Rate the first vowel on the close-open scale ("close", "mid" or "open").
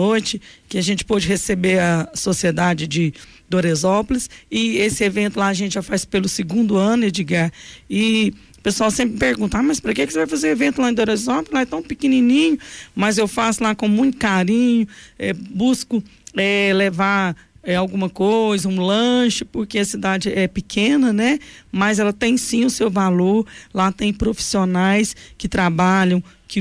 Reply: mid